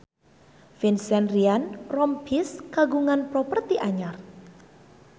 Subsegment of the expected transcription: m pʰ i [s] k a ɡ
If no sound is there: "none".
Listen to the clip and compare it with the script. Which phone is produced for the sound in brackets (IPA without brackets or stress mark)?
s